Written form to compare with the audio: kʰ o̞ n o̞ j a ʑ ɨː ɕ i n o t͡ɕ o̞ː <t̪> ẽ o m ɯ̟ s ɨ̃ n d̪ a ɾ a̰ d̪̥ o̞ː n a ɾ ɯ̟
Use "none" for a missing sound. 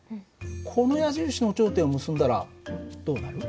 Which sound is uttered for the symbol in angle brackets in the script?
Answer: t̪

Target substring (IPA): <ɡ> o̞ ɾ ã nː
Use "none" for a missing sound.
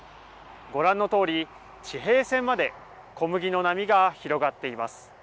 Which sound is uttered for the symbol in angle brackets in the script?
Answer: ɡ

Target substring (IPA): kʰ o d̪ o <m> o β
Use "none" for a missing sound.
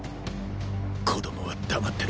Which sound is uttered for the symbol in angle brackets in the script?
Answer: m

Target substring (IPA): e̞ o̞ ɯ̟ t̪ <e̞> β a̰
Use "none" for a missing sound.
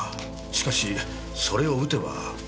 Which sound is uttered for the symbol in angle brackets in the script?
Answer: e̞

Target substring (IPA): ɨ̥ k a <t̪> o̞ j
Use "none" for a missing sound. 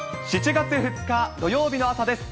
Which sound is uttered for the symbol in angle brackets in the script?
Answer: d̪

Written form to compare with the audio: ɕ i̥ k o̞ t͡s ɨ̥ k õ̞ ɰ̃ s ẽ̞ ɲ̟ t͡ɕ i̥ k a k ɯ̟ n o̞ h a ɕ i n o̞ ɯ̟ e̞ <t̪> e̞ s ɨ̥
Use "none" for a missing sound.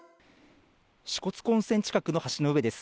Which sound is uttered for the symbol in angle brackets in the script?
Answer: d̪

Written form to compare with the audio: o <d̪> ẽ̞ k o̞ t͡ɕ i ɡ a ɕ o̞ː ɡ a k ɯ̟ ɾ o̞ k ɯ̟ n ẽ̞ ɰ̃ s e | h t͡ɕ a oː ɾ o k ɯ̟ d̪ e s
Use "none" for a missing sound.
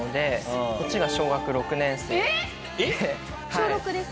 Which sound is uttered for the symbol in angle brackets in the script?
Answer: d̪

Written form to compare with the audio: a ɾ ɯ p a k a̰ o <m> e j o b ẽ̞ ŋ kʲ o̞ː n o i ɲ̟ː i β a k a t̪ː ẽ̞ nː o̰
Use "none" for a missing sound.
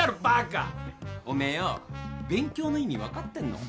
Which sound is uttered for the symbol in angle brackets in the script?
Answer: m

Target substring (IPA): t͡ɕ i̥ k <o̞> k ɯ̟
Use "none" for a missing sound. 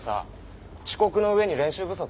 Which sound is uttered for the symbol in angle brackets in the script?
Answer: o̞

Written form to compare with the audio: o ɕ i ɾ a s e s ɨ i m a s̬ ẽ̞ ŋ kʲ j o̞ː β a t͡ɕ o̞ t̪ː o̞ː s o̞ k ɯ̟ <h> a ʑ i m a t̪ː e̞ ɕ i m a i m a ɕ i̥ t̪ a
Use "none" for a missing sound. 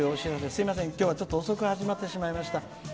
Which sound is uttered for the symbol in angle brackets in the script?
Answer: h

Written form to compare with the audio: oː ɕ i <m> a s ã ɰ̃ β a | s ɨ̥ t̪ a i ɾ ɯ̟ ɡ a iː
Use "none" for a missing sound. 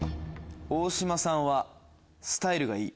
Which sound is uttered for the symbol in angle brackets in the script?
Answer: m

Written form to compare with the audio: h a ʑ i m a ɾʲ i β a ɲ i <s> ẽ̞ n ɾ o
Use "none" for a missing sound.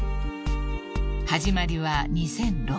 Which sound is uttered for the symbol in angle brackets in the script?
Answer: s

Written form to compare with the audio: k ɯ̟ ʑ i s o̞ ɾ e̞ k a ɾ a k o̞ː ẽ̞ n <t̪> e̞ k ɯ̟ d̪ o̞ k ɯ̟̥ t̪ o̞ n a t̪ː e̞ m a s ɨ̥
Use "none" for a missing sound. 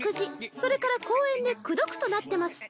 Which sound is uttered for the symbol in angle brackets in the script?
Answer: d̪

